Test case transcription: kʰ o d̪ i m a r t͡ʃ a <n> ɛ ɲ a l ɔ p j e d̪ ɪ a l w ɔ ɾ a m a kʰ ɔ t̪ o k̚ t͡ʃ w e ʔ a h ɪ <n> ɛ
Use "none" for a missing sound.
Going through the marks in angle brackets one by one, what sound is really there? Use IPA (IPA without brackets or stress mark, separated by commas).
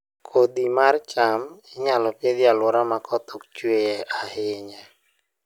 m, ɲ